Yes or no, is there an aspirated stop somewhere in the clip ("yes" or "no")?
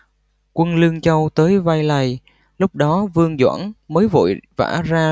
no